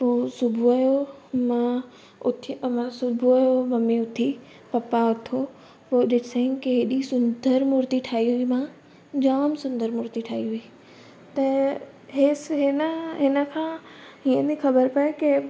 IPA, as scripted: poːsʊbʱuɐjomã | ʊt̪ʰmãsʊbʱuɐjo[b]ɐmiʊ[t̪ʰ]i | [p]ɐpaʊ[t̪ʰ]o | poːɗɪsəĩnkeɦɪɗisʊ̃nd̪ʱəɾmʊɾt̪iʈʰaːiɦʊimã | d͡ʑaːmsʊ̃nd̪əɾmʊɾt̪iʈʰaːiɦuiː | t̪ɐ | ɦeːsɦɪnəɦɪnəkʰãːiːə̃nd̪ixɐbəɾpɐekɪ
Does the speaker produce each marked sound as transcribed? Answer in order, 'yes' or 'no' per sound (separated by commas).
no, yes, yes, yes